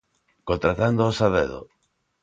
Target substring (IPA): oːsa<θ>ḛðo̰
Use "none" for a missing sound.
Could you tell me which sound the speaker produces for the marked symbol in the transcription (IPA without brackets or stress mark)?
ð